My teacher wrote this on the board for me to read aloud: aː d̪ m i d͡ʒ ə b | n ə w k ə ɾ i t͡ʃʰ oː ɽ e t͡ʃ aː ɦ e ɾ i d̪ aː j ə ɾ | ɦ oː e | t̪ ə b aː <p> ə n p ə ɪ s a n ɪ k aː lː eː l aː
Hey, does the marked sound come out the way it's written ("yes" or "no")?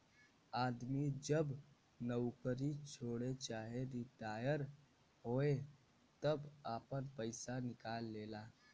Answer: yes